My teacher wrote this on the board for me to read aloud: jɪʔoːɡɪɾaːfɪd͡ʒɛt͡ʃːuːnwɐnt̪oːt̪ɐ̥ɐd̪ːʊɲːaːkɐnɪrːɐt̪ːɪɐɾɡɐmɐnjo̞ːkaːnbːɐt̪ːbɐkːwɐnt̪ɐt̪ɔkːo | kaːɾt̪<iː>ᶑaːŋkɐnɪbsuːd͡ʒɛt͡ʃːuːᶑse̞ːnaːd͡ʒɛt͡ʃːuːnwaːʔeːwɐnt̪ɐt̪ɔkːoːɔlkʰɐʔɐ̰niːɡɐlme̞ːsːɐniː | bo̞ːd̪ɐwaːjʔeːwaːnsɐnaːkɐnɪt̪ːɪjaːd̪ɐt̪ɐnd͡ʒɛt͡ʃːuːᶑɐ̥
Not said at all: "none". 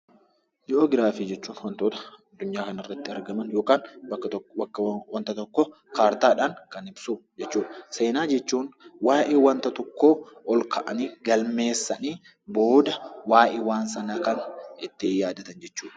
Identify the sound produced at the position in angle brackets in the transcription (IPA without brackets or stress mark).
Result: aː